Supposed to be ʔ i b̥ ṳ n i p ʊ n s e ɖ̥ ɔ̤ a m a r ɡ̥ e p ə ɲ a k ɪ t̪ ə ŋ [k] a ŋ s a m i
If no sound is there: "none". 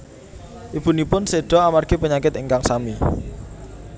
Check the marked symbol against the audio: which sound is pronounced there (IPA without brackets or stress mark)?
k